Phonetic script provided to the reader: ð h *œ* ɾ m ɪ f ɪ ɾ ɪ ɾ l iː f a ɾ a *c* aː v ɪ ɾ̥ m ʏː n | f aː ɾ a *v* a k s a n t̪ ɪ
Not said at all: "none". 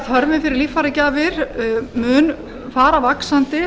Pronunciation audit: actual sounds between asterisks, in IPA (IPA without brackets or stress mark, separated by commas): œ, c, v